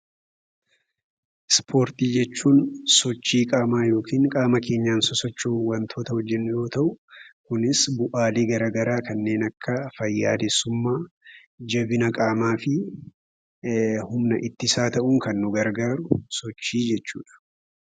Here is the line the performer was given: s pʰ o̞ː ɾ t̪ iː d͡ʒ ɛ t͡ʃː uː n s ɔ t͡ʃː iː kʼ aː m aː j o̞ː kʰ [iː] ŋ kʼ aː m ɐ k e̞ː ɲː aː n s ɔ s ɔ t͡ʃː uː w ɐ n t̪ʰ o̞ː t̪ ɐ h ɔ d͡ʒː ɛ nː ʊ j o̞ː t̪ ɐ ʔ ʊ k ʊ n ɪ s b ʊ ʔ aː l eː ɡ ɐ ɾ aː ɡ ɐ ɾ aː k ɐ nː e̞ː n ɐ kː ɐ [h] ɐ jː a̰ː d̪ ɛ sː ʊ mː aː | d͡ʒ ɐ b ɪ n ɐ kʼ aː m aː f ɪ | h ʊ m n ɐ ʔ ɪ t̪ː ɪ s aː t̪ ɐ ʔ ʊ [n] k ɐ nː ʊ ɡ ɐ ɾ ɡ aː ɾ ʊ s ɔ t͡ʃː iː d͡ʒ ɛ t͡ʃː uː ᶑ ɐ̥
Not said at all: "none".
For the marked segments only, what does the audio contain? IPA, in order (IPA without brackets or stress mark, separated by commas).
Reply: iː, f, ŋ